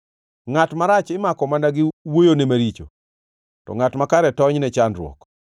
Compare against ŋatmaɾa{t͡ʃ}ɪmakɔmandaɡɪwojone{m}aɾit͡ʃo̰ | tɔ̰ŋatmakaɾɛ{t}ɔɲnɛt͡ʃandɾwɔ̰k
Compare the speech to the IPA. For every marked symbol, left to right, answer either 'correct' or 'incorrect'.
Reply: correct, correct, correct

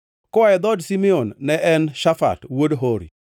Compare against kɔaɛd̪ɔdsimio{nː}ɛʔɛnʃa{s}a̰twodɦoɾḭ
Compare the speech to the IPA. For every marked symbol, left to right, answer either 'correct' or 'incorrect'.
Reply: correct, incorrect

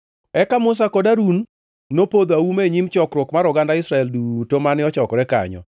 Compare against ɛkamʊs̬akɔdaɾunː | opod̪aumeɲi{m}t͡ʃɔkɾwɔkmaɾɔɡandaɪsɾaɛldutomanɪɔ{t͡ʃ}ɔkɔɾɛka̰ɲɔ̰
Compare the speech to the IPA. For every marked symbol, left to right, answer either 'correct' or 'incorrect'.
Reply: correct, correct

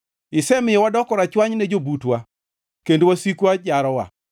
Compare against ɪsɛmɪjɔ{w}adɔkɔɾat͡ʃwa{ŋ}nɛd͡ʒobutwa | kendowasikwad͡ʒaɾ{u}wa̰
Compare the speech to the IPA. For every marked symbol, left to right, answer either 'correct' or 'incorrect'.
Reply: correct, incorrect, incorrect

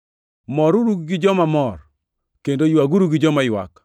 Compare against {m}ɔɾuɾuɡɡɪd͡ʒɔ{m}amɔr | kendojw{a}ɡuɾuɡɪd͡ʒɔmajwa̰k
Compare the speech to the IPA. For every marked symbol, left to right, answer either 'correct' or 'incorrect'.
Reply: correct, correct, correct

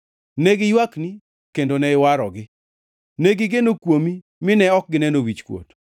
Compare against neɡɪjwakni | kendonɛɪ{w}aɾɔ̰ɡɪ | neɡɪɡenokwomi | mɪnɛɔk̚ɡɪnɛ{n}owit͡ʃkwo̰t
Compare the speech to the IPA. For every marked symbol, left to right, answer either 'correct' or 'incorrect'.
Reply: correct, correct

